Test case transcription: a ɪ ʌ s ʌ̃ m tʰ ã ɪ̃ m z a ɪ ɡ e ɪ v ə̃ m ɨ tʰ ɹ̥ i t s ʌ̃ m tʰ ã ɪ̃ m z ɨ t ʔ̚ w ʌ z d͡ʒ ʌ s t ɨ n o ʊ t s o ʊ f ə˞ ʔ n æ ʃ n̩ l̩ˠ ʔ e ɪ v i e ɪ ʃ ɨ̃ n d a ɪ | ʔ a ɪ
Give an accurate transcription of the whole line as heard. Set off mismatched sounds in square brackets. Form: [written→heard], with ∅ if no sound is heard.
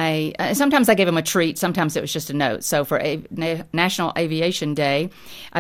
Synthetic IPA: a ɪ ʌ s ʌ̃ m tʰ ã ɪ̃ m z a ɪ ɡ e ɪ v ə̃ m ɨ tʰ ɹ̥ i t s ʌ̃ m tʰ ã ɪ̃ m z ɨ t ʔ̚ w ʌ z d͡ʒ ʌ s t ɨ n o ʊ t s o ʊ f ə˞ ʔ n æ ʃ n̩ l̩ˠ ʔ e ɪ v i e ɪ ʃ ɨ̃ n d [a→e] ɪ | ʔ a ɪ